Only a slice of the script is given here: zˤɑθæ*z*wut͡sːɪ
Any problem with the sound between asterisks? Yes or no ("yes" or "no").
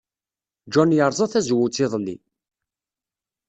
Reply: no